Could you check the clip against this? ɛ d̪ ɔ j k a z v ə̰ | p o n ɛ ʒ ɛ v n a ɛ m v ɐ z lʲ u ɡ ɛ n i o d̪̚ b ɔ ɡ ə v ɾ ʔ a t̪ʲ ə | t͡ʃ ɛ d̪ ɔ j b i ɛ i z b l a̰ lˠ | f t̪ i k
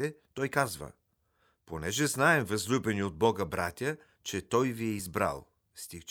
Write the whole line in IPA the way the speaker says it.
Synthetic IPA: ɛ t̪ ɔ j k a z v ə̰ | p o n ɛ ʒ ɛ z n a ɛ m v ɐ z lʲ u b ɛ n i o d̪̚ b ɔ ɡ ə b ɾ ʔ a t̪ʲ ə | t͡ʃ ɛ t̪ ɔ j v i ɛ i z b ɾ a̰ lˠ | s t̪ i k